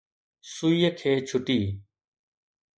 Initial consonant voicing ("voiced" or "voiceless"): voiceless